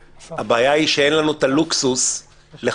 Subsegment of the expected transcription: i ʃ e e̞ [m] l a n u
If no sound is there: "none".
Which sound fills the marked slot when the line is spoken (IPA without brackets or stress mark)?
n